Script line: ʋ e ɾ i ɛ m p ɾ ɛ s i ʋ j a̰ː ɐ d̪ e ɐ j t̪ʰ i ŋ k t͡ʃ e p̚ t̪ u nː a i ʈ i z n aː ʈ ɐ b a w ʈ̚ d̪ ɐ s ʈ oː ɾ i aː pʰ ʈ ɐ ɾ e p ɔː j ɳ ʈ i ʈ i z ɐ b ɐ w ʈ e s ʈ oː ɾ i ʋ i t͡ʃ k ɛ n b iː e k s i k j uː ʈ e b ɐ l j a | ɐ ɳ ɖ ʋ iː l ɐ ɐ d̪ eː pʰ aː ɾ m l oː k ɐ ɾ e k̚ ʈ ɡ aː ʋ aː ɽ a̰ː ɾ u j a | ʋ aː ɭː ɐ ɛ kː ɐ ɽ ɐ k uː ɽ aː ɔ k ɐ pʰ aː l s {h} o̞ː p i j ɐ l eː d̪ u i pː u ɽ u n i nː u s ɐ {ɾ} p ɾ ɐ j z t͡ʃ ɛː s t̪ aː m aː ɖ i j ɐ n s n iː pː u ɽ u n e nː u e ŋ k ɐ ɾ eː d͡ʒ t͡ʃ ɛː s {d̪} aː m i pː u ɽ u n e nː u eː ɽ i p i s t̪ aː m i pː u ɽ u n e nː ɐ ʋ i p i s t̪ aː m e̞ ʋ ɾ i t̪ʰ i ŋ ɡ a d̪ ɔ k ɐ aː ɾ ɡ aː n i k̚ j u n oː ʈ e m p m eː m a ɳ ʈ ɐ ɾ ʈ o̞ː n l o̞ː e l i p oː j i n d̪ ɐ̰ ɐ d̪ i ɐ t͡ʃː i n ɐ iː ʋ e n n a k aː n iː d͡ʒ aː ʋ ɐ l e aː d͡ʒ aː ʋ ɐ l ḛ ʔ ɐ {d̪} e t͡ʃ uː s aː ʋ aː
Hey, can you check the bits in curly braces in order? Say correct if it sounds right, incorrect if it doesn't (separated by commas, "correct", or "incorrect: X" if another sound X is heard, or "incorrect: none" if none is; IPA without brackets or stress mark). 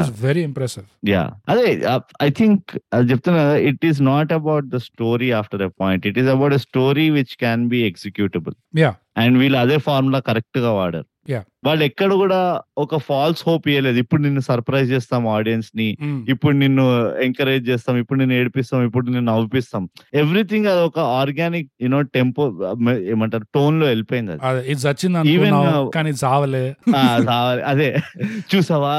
correct, correct, incorrect: t̪, correct